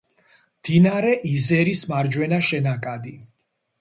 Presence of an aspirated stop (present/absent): absent